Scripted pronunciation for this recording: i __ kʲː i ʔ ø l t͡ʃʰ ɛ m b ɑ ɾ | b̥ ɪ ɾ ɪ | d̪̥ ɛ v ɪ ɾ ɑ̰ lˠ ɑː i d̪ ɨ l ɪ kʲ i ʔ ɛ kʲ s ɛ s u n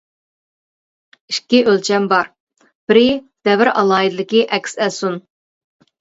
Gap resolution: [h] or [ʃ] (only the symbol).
ʃ